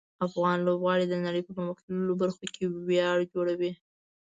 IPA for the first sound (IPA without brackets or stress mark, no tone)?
a